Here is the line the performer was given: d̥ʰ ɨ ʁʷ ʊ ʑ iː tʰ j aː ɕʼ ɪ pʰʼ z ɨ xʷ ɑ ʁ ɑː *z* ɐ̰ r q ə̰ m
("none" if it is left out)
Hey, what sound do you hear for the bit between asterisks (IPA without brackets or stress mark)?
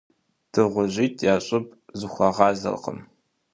z